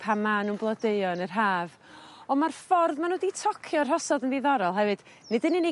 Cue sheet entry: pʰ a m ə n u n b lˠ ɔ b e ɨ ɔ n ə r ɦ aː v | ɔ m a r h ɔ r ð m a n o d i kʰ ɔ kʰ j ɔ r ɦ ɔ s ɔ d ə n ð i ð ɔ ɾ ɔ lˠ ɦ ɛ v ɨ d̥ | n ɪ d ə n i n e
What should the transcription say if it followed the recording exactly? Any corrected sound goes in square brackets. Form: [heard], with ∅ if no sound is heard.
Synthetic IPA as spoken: pʰ a m [a] n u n b lˠ ɔ [d] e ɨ ɔ n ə r ɦ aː v | ɔ m a r [f] ɔ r ð m a n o d i [tʰ] ɔ kʰ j ɔ r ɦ ɔ s ɔ d ə n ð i ð ɔ ɾ ɔ lˠ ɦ ɛ v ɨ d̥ | n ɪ d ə n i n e